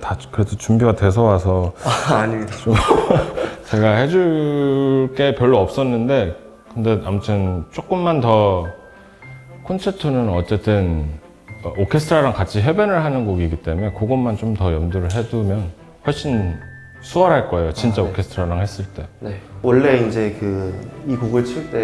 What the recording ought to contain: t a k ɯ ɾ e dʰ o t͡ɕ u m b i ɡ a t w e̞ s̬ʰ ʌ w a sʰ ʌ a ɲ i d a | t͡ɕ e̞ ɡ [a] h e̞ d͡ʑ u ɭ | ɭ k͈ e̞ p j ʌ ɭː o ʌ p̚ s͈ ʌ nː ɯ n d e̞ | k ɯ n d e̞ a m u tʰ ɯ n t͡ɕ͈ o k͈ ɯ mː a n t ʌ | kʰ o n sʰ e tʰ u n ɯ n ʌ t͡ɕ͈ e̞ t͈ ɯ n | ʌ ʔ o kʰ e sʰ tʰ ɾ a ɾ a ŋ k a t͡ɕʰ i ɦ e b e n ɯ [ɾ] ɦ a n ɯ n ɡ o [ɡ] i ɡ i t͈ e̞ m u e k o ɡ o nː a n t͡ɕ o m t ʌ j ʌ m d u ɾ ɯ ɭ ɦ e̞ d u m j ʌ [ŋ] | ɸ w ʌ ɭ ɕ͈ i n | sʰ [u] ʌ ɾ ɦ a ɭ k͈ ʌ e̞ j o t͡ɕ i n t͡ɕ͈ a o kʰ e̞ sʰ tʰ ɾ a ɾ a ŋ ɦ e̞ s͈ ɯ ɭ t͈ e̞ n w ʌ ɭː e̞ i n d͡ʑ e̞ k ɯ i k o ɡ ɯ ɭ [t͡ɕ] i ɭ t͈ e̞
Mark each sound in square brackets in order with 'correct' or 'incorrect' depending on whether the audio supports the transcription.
correct, incorrect, correct, incorrect, correct, incorrect

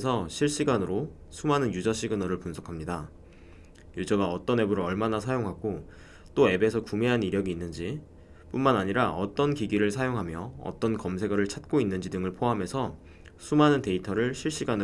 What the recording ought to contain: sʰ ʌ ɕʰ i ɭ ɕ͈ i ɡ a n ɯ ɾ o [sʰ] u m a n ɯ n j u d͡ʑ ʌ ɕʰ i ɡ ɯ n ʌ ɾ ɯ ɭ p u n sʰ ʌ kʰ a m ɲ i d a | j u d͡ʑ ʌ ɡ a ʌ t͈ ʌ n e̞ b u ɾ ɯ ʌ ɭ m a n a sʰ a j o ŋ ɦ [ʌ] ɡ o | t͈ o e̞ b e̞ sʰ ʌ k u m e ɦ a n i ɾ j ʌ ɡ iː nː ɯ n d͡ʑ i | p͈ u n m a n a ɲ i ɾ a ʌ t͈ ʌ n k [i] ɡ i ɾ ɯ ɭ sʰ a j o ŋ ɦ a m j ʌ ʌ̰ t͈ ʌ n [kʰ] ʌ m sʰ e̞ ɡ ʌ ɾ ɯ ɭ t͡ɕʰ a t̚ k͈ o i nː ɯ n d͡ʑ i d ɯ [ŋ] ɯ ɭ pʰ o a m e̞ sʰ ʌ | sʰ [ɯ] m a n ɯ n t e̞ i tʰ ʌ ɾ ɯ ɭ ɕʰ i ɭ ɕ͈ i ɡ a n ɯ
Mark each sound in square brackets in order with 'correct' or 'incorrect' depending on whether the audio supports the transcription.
correct, incorrect, correct, incorrect, correct, incorrect

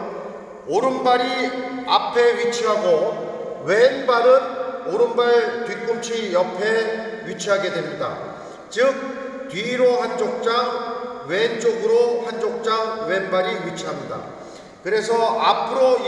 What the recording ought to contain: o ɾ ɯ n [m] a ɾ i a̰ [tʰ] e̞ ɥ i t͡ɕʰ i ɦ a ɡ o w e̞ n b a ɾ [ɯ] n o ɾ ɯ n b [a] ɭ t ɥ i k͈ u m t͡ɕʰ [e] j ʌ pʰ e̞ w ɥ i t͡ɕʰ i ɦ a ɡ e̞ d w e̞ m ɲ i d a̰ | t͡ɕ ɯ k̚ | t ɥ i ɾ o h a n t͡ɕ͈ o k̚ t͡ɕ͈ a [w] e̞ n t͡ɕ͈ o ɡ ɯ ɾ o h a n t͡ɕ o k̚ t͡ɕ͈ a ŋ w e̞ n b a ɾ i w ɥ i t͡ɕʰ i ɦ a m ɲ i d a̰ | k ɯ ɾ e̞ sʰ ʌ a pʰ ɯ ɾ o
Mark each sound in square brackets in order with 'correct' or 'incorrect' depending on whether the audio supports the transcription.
incorrect, incorrect, correct, correct, incorrect, correct

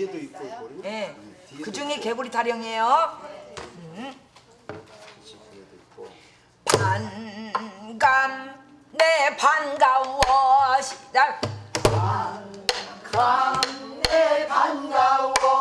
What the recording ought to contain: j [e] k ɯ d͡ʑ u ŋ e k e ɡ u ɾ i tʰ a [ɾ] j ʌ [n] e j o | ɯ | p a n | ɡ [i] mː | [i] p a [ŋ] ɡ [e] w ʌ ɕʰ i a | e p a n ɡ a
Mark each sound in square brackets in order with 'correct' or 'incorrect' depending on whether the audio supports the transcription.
correct, correct, incorrect, incorrect, incorrect, incorrect, incorrect

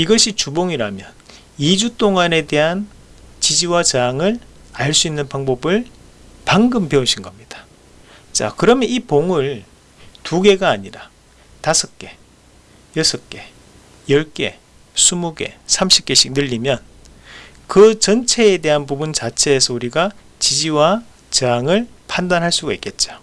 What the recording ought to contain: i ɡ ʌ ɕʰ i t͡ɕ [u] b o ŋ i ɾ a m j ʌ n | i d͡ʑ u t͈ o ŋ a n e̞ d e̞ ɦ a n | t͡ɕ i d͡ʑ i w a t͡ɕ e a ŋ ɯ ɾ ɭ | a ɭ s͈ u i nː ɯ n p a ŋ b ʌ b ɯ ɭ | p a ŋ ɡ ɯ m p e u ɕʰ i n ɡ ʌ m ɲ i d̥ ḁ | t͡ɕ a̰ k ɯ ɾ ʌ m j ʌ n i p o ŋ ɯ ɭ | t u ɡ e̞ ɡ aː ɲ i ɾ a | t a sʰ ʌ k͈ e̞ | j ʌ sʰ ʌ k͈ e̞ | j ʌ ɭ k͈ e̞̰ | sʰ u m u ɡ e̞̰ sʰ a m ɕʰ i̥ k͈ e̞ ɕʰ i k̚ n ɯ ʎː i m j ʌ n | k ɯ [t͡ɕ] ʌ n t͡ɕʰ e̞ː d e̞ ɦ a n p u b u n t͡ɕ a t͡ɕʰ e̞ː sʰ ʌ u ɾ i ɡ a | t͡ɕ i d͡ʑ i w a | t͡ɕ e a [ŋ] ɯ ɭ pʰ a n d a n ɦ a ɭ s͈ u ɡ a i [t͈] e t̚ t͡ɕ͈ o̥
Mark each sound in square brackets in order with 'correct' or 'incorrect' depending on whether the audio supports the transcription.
correct, correct, correct, incorrect

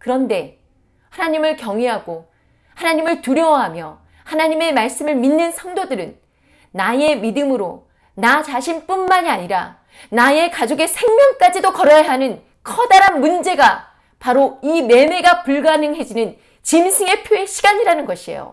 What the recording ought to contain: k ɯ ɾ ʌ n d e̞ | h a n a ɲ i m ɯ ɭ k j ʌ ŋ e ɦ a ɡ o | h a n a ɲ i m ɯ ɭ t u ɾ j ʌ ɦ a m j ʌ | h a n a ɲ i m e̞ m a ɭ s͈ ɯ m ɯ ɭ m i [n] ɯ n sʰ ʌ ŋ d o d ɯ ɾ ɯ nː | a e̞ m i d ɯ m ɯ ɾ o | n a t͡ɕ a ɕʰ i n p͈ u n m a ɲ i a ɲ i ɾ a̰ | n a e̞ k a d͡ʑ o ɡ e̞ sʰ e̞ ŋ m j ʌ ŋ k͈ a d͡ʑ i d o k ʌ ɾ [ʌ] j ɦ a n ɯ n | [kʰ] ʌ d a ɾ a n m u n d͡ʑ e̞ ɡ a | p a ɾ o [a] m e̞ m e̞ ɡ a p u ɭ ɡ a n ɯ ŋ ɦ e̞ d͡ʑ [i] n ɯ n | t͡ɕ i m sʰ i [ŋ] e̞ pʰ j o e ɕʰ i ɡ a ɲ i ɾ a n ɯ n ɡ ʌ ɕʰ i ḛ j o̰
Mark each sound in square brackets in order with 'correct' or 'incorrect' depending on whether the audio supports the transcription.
incorrect, correct, correct, incorrect, correct, correct

